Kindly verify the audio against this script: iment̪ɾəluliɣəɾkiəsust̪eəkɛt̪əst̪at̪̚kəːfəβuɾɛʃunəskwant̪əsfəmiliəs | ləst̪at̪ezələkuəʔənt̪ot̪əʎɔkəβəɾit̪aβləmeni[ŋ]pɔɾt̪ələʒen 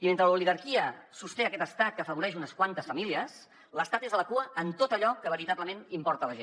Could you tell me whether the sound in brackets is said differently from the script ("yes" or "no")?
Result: yes